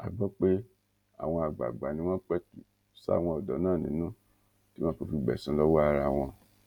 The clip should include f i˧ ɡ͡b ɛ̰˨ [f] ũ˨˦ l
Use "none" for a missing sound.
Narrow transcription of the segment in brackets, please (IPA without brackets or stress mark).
s